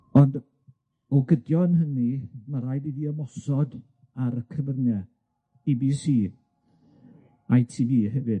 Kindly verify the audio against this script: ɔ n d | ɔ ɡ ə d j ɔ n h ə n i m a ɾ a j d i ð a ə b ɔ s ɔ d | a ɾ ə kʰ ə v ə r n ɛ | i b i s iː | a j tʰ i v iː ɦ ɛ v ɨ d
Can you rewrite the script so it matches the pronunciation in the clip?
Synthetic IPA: ɔ n d | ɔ ɡ ə d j ɔ n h ə n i m a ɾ a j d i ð i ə m ɔ s ɔ d | a ɾ ə kʰ ə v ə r n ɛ | i b i s iː | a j tʰ i v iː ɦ ɛ v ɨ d